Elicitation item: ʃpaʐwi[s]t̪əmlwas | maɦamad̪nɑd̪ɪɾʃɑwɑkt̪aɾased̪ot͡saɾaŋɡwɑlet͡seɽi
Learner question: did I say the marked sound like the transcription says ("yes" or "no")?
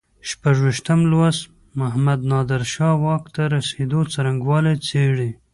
no